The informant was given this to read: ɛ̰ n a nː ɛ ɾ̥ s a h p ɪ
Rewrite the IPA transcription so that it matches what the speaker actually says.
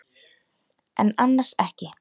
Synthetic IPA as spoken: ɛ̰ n a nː a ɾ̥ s ɛ h c ɪ